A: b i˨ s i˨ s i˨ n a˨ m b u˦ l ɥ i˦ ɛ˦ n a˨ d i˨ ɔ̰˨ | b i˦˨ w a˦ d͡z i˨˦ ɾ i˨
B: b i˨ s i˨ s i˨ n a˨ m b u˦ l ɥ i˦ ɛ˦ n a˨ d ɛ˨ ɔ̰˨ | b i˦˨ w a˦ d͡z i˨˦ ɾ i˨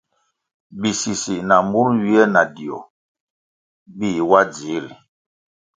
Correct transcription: A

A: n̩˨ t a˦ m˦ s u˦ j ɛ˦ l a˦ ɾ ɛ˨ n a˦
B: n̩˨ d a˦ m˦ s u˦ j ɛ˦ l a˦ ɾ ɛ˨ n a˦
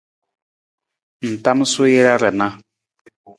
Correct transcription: A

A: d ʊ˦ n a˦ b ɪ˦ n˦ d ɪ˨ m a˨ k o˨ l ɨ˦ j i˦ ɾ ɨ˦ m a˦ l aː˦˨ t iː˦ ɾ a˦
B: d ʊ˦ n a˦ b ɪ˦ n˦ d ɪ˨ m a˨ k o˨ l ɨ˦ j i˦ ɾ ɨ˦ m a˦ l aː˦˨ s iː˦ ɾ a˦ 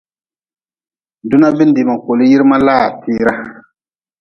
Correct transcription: A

